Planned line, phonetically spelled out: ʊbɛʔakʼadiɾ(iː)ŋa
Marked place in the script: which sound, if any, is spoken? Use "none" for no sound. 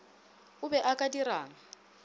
aː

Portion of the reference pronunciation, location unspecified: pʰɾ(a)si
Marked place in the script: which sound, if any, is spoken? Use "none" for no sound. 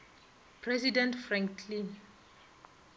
ɛ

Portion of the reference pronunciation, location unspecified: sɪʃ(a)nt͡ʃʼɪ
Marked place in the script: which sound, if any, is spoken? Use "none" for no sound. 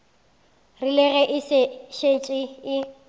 e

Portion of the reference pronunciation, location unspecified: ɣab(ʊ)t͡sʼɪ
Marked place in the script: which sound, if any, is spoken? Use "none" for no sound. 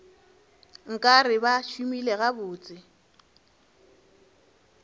ʊː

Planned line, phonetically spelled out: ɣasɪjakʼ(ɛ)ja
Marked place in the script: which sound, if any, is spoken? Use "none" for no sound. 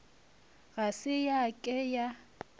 ɛ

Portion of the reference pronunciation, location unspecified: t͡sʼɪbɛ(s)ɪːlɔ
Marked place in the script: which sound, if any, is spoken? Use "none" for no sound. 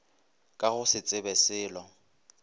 s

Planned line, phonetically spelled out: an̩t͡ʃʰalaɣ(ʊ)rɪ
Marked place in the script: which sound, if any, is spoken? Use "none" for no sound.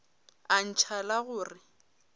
ʊː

